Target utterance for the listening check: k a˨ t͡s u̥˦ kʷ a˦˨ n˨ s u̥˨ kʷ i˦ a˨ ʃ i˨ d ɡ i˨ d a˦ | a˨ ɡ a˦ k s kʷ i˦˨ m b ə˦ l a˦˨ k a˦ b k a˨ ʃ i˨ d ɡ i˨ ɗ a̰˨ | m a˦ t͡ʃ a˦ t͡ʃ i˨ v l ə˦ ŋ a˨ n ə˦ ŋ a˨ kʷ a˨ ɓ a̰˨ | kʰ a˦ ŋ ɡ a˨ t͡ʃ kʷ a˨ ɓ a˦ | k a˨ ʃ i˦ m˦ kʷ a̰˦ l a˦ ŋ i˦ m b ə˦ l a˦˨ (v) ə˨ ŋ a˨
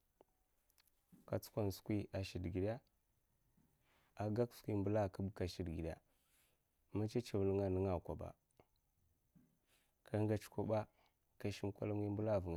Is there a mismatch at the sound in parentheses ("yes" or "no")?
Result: no